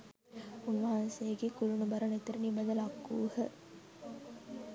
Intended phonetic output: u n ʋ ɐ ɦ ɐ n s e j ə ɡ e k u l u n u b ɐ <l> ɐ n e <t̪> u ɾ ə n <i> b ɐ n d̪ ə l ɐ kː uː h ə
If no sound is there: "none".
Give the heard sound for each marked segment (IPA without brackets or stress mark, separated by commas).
ɾ, t̪, i